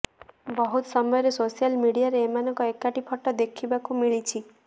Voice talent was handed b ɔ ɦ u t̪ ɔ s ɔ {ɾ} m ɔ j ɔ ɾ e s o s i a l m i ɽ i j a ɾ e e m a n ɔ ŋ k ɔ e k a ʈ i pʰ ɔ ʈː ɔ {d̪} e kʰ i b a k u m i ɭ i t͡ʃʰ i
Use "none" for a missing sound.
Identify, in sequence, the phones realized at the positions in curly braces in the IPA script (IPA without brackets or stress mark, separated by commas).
none, d̪